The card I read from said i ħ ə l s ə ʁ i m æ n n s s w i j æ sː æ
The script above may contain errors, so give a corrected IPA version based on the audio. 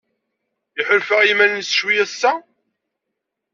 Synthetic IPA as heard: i ħ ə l f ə ʁ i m æ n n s ʃ w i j æ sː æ